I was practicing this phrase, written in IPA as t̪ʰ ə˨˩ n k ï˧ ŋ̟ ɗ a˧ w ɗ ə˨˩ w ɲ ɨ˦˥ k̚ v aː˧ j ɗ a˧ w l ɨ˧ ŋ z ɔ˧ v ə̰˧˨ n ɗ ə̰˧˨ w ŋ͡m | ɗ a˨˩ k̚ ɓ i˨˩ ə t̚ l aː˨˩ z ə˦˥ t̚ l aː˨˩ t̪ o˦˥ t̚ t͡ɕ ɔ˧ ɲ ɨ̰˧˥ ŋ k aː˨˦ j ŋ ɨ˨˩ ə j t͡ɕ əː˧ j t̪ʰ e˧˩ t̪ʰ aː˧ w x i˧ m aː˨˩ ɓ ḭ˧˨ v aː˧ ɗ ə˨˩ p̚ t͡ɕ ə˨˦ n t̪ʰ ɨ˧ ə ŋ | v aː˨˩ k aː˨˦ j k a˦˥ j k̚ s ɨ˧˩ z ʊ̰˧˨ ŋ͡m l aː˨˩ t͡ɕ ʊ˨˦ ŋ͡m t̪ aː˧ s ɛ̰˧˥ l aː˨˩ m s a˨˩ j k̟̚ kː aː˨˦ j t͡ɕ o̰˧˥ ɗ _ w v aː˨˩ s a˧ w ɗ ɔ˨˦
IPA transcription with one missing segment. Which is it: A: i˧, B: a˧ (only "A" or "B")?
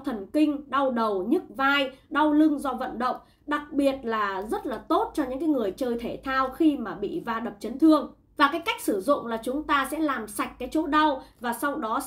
B